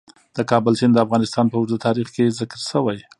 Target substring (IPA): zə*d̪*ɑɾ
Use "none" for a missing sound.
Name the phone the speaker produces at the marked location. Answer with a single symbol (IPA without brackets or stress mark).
t̪